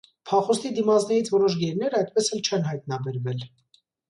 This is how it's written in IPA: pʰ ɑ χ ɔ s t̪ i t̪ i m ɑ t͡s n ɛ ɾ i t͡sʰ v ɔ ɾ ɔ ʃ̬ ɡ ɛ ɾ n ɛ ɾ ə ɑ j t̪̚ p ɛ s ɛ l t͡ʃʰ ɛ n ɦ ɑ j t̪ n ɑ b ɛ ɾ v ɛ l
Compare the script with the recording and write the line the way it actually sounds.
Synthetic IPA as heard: pʰ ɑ χ ɔ s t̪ i d̪ i m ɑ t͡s n ɛ ɾ i t͡sʰ v ɔ ɾ ɔ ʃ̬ ɡ ɛ ɾ n ɛ ɾ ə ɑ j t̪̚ p ɛ s ɛ l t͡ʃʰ ɛ n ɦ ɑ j t̪ n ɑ b ɛ ɾ v ɛ l

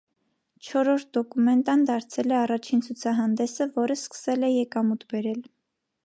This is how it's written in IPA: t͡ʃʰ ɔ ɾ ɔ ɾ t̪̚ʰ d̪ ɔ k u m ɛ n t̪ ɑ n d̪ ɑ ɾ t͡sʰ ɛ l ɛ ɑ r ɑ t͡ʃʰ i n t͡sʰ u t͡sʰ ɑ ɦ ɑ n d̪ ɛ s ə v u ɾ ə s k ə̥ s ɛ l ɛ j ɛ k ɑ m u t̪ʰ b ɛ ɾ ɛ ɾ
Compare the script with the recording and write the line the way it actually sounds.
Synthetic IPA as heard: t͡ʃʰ ɔ ɾ ɔ ɾ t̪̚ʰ d̪ ɔ k u m ɛ n t̪ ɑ n d̪ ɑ ɾ t͡sʰ ɛ l ɛ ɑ r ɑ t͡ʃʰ i n t͡sʰ u t͡sʰ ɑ ɦ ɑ n d̪ ɛ s ə v ɔ ɾ ə s k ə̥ s ɛ l ɛ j ɛ k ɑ m u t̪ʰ b ɛ ɾ ɛ l

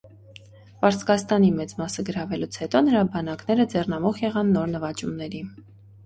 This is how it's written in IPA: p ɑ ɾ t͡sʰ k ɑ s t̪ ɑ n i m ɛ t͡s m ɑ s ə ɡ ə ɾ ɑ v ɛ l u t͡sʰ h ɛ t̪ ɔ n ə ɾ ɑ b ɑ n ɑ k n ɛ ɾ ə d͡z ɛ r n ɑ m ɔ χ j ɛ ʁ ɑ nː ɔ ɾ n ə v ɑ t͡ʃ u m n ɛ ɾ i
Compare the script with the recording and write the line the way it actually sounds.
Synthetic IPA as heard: p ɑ ɾ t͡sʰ k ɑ s t̪ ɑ n i m ɛ t͡s m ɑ s ə ɡ ə ɾ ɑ v ɛ l u t͡sʰ h ɛ t̪ ɔ n ə ɾ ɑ b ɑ n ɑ k n ɛ ɾ ə d͡z ɛ r n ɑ m ɔ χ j ɛ ʁ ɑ nː ɔ ɾ n ə v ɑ t͡ʃ u m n ɛ ɾ i

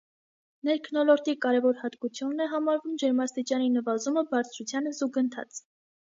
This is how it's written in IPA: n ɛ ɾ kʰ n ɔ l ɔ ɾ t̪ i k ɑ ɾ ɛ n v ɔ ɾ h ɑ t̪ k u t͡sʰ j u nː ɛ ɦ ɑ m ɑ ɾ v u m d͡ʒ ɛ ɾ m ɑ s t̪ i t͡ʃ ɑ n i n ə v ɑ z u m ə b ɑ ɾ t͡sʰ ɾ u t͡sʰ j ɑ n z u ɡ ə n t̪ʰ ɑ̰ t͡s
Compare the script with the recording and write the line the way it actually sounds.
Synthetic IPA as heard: n ɛ ɾ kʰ n ɔ l ɔ ɾ t̪ i k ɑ ɾ ɛ v ɔ ɾ h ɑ t̪ k u t͡sʰ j u nː ɛ ɦ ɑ m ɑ ɾ v u m d͡ʒ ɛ ɾ m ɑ s t̪ i t͡ʃ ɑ n i n ə v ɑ z u m ə b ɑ ɾ t͡sʰ ɾ u t͡sʰ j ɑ n z u ɡ ə n t̪ʰ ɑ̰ t͡s

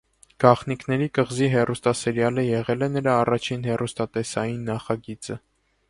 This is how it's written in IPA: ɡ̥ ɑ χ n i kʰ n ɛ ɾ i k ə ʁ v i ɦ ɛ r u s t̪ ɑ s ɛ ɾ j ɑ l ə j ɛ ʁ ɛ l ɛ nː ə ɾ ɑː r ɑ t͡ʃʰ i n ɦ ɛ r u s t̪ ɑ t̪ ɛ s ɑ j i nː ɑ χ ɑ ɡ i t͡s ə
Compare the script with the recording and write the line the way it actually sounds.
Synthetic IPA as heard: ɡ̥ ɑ χ n i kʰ n ɛ ɾ i k ə ʁ z i ɦ ɛ r u s t̪ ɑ s ɛ ɾ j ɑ l ə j ɛ ʁ ɛ l ɛ n ə ɾ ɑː r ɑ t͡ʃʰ i n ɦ ɛ r u s t̪ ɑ t̪ ɛ s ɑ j i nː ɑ χ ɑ ɡ i t͡s ə

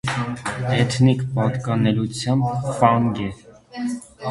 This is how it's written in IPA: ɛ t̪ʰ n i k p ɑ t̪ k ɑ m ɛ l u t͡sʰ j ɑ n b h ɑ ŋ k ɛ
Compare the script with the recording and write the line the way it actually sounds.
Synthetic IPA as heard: ɛ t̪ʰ n i k p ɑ t̪ k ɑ n ɛ l u t͡sʰ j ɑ m b f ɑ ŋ ɡ ɛ

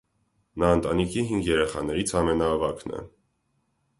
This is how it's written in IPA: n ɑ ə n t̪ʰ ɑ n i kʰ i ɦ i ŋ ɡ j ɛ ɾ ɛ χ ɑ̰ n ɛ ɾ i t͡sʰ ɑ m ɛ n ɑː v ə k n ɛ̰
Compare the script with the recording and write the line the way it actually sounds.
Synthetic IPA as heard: n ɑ ə n t̪ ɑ n i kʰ i ɦ i ŋ ɡ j ɛ ɾ ɛ χ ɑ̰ n ɛ ɾ i t͡sʰ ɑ m ɛ n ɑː v ɑ k n ɛ̰

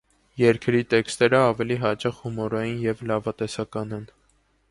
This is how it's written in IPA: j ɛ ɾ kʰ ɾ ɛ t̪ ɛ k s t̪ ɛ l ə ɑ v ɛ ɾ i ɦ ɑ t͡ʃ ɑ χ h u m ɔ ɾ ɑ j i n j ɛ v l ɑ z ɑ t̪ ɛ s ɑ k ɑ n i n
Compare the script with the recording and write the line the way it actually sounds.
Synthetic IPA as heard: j ɛ ɾ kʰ ɾ i t̪ ɛ k s t̪ ɛ ɾ ə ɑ v ɛ l i ɦ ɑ t͡ʃ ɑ χ h u m ɔ ɾ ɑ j i n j ɛ v l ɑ v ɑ t̪ ɛ s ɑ k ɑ n ɛ n

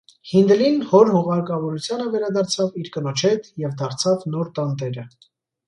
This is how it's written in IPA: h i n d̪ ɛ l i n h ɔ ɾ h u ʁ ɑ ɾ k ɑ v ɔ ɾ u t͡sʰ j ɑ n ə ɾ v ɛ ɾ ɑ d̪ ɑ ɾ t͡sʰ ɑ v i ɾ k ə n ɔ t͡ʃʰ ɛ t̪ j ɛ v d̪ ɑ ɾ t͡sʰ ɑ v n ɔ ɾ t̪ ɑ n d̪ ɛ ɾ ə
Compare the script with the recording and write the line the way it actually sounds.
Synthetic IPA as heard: h i n d̪ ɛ l i n h ɔ ɾ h u ʁ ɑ ɾ k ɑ v ɔ ɾ u t͡sʰ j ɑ n ə v ɛ ɾ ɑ d̪ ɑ ɾ t͡sʰ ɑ v i ɾ k ə n ɔ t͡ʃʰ ɛ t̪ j ɛ v d̪ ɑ ɾ t͡sʰ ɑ v n ɔ ɾ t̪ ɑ n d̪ ɛ ɾ ə

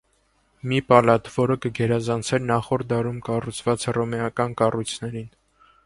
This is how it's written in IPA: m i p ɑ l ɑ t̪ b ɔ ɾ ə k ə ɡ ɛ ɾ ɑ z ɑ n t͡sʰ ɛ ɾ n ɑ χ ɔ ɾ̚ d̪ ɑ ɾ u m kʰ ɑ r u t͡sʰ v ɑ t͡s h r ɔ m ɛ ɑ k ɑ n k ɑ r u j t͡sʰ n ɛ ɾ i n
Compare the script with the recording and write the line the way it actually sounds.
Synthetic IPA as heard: m i p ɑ l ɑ t̪ v ɔ ɾ ə k ə ɡ ɛ ɾ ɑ z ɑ n t͡sʰ ɛ ɾ n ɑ χ ɔ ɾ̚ d̪ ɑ ɾ u m k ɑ r u t͡sʰ v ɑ t͡s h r ɔ m ɛ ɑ k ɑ n k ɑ r u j t͡sʰ n ɛ ɾ i n

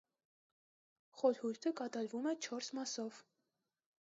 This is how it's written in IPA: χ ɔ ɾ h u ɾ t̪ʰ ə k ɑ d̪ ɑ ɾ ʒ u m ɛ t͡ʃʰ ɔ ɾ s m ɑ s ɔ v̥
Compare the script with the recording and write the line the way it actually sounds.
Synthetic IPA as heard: χ ɔ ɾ h u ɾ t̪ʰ ə k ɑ t̪ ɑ ɾ v u m ɛ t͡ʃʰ ɔ ɾ s m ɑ s ɔ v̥

